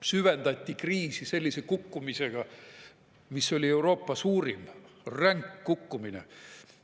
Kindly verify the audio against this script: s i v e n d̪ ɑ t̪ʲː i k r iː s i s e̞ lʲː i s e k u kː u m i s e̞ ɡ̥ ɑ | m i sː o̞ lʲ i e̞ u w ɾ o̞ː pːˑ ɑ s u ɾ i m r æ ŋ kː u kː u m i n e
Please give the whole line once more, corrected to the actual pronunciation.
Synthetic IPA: s y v e n d̪ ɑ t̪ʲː i k r iː s i s e̞ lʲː i s e k u kː u m i s e̞ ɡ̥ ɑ | m i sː o̞ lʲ i e̞ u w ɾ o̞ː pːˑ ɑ s uː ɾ i m r æ ŋ kː u kː u m i n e